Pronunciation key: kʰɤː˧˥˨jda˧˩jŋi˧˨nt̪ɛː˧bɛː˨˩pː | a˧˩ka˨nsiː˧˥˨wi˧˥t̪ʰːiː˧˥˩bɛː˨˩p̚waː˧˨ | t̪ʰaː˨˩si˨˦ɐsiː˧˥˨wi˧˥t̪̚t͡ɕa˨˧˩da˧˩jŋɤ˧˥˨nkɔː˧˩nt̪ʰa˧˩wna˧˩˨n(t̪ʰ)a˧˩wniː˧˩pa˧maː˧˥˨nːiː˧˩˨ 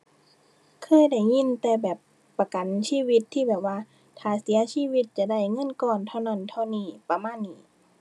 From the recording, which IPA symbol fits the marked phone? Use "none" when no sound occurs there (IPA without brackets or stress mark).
t̪ʰ